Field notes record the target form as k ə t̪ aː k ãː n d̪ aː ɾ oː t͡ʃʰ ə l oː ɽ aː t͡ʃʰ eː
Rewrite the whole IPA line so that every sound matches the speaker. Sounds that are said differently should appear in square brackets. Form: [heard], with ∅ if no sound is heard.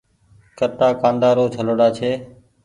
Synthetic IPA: k ə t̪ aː k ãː n d̪ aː ɾ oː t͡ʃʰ ə l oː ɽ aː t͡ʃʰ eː